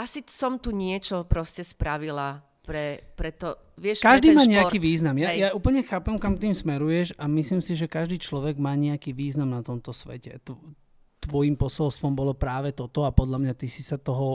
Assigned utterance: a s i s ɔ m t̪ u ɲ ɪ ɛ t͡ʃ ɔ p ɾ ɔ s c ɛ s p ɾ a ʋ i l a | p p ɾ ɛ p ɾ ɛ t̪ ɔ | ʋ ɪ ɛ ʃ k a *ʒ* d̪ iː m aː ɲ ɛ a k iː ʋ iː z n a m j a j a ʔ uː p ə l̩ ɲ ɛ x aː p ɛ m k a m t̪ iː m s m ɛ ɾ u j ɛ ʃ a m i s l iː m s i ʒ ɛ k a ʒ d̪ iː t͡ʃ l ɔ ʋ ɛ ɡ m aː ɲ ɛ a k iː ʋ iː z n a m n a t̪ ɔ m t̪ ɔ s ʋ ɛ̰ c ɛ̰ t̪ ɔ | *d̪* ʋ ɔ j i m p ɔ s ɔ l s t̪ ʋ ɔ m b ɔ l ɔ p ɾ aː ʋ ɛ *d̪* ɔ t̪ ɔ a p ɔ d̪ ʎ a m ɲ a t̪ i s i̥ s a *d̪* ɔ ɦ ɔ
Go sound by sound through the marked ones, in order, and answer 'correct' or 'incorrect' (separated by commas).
correct, incorrect, incorrect, incorrect